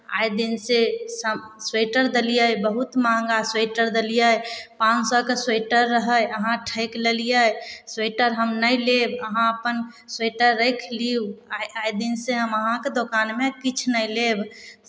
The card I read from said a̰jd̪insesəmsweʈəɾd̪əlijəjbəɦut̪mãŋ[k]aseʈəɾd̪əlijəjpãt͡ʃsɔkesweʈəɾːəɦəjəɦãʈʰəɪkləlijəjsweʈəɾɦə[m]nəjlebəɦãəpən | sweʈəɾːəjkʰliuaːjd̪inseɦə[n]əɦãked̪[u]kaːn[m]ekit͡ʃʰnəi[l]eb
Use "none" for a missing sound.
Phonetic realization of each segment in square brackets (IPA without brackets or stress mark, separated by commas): ɡ, m, m, o, m, l